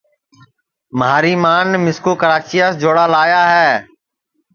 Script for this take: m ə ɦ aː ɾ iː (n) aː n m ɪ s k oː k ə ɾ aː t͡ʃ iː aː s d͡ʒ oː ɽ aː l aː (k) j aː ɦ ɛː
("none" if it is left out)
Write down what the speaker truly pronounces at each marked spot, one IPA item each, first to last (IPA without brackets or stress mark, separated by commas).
m, none